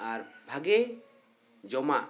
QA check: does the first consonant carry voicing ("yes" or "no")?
yes